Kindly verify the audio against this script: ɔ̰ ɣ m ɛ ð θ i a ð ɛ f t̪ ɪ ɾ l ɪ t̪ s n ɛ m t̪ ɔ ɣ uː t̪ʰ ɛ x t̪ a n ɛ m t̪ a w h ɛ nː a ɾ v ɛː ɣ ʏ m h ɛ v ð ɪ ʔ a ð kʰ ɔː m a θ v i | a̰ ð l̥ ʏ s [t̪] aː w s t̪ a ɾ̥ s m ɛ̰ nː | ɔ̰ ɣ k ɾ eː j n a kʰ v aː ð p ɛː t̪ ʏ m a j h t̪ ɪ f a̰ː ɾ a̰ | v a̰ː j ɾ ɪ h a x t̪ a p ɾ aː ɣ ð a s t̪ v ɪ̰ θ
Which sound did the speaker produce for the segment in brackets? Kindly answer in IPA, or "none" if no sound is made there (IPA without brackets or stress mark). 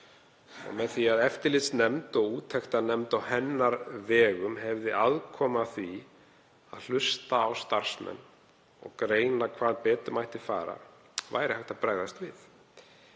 t̪